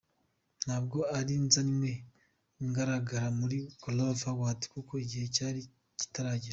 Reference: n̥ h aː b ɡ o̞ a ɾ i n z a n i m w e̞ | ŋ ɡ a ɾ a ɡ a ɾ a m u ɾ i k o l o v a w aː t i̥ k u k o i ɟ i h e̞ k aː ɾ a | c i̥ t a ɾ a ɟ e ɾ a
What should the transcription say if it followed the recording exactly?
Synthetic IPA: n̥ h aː b ɡ o̞ a ɾ i n z a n i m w e̞ | ŋ ɡ a ɾ a ɡ a ɾ a m u ɾ i k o l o v a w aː t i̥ k u k o i ɟ i h e̞ c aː ɾ i | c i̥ t a ɾ a ɟ i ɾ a